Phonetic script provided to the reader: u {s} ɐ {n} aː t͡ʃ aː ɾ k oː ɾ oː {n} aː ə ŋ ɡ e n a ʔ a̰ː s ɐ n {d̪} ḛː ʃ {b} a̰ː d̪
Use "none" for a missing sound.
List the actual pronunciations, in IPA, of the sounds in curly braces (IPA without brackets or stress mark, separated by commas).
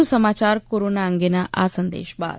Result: s, m, n, d̪, b